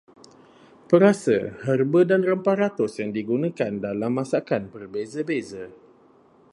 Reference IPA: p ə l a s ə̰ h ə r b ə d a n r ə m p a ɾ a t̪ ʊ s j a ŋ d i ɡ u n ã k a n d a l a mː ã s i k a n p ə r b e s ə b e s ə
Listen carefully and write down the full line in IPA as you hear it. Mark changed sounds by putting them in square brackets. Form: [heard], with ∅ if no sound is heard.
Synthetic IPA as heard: p ə [ɾ] a s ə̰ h ə r b ə d a n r ə m p a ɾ a t̪ ʊ s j a ŋ d i ɡ u n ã k a n d a l a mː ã s [a] k a n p ə r b e [z] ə b e [z] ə